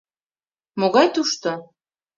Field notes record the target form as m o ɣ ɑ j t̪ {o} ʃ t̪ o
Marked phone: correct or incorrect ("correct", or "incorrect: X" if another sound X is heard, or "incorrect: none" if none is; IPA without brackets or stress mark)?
incorrect: u